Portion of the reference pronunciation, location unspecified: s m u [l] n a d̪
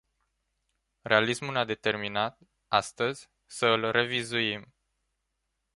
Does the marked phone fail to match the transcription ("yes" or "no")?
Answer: no